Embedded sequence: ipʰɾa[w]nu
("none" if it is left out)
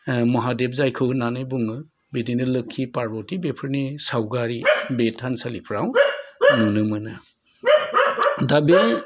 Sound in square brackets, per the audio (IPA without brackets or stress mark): w